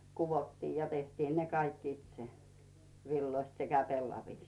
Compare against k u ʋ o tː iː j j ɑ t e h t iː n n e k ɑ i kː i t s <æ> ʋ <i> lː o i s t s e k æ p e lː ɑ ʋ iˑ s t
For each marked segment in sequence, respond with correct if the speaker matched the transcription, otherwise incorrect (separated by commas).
incorrect, correct